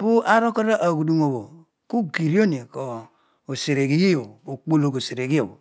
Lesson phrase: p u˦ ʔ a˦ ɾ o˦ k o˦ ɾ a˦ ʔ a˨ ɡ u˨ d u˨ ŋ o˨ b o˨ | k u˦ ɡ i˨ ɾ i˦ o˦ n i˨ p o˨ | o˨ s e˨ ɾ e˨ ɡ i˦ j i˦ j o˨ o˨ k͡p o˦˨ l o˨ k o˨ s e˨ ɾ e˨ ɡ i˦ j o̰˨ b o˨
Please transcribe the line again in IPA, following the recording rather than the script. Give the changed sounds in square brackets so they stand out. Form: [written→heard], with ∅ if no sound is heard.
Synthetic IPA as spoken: p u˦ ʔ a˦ ɾ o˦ k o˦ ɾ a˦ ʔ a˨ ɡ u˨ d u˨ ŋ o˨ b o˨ | k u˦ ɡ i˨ ɾ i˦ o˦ n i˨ [p→k] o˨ | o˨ s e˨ ɾ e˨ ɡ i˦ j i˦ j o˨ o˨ k͡p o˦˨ l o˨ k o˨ s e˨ ɾ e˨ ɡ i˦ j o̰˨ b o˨